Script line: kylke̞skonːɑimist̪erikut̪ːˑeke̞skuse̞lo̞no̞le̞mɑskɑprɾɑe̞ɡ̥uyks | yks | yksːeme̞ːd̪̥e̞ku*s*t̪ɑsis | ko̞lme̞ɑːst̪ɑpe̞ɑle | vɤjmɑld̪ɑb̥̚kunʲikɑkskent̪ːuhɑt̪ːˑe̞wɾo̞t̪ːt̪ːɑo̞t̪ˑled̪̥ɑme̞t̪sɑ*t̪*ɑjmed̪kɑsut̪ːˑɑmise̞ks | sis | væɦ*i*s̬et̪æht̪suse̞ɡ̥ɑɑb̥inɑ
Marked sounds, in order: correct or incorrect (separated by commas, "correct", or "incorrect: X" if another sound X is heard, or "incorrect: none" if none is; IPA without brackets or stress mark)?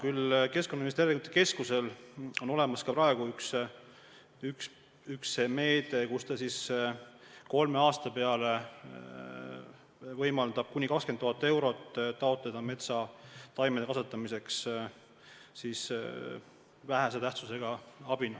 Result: correct, correct, incorrect: æ